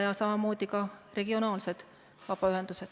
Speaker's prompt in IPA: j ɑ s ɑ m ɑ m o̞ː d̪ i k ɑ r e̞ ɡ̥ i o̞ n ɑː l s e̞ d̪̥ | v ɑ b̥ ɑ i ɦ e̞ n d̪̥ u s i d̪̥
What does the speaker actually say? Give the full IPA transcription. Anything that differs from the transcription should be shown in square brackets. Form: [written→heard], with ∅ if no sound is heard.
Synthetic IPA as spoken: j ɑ s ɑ m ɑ m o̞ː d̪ i k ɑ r e̞ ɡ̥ i o̞ n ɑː l s e̞ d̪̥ | v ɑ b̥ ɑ [i→y] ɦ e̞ n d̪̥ u s [i→e] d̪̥